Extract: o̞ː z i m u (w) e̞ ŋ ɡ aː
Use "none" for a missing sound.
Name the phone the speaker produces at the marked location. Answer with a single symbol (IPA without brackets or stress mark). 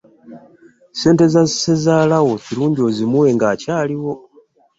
w